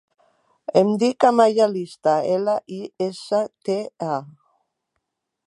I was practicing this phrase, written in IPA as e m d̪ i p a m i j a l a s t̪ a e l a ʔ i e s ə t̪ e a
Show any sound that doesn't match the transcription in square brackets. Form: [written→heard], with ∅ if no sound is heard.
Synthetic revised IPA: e m d̪ i [p→k] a m [i→a] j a l [a→i] s t̪ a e l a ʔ i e s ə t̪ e a